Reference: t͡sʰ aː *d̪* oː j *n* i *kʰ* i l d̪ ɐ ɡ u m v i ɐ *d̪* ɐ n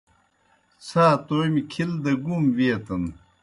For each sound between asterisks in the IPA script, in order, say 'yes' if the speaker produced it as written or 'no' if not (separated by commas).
no, no, yes, no